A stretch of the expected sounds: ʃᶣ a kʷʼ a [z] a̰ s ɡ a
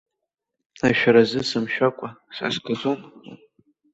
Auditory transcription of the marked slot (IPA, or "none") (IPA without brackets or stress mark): s